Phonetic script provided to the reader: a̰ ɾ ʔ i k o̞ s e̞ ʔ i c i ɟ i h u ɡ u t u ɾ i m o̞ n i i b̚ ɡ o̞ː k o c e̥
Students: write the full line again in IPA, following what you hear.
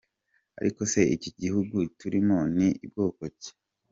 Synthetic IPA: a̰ ɾ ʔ i k o̞ s e̞ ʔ i c i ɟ i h u ɡ u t u ɾ i m o̞ n i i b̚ ɡ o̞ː k o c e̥

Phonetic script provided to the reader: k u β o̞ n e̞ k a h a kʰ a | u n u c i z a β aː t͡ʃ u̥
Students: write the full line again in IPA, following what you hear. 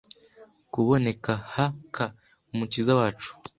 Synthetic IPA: k u β o̞ n e̞ k a h a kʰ a | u m u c i z a w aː t͡ʃ u̥

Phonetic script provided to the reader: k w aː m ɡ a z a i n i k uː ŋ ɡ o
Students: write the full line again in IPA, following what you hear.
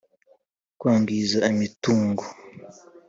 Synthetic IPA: k w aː ŋ ɡ i z a i m i t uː ŋ ɡ o

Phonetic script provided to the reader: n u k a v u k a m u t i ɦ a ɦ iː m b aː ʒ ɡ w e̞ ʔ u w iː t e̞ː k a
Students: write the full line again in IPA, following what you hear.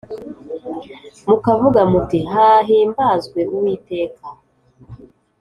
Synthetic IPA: m u k a v u ɡ a m u t i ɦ a ɦ iː m b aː z ɡ w e̞ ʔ u w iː t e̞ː k a

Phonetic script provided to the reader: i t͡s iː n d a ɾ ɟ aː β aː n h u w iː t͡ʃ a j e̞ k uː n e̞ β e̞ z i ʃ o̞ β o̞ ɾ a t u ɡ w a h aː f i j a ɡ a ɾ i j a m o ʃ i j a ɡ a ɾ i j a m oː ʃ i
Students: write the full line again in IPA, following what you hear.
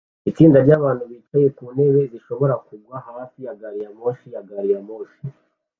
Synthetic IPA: i t͡s iː n d a ɾ ɟ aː β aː n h u β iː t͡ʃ a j e̞ k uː n e̞ β e̞ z i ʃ o̞ β o̞ ɾ a k u ɡ w a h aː f i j a ɡ a ɾ i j a m o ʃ i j a ɡ a ɾ i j a m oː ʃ i

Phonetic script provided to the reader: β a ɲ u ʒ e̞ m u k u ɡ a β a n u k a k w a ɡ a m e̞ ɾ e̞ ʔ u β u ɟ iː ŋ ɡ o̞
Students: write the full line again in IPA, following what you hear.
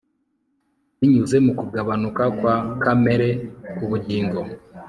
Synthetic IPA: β i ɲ u z e̞ m u k u ɡ a β a n u k a k w a k a m e̞ ɾ e̞ k u β u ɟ iː ŋ ɡ o̞

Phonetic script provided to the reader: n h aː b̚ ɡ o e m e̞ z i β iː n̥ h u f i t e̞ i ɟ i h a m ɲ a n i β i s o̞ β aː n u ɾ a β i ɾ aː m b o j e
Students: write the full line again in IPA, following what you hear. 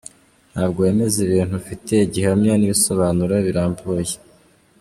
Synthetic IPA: n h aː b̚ ɡ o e m e̞ z i β iː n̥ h u f i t e̞ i ɟ i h a m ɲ a n i β i s o̞ β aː n u ɾ a β i ɾ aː m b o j e

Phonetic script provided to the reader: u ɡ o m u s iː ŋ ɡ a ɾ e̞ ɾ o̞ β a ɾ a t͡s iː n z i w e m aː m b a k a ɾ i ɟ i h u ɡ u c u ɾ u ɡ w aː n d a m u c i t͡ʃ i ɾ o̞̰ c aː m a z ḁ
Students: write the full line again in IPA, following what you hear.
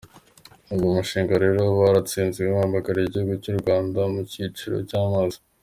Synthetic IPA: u ɡ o m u ʃ iː ŋ ɡ a ɾ e̞ ɾ o̞ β a ɾ a t͡s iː n z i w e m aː m b a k a ɾ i ɟ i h u ɡ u c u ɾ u ɡ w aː n d a m u c i t͡ʃ i ɾ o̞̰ c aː m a z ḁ

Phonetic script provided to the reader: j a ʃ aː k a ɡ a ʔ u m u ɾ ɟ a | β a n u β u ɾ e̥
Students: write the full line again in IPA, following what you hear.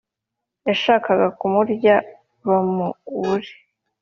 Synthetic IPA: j a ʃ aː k a ɡ a k u m u ɾ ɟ a | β a m u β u ɾ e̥

